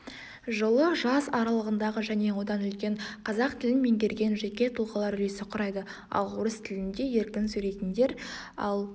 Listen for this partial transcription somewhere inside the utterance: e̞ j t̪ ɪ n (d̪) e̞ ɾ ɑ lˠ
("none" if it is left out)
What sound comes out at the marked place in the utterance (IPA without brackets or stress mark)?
d̪